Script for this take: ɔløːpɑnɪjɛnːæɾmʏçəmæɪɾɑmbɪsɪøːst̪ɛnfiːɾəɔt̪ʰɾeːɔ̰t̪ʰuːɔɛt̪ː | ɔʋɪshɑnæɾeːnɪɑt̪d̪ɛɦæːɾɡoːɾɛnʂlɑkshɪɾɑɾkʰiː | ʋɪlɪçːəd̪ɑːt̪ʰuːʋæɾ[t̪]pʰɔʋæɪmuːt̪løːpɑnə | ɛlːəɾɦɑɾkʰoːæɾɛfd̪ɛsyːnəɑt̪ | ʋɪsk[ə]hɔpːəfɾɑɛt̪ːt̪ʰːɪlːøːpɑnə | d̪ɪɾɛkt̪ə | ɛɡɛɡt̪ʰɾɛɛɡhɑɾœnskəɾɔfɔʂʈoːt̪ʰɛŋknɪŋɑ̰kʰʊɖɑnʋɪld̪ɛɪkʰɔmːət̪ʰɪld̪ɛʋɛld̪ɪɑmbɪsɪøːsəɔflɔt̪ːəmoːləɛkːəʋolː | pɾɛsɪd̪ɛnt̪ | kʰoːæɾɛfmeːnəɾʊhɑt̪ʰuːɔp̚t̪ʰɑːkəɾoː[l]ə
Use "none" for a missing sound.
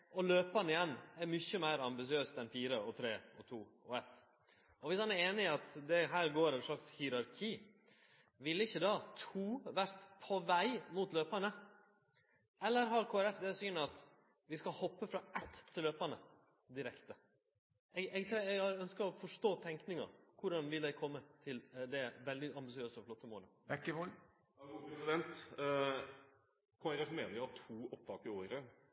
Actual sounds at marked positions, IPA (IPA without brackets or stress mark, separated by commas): t̪, ɑ, ɾ